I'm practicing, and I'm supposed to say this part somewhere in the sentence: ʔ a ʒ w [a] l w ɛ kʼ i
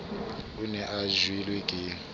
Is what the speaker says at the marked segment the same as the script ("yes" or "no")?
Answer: no